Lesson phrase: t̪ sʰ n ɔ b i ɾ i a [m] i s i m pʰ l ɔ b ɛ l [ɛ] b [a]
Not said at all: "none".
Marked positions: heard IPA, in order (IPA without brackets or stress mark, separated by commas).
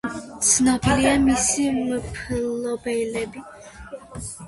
m, ɛ, i